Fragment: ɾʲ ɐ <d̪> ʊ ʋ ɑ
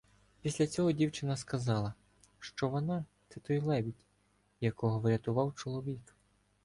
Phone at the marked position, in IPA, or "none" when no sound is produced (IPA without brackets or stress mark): t̪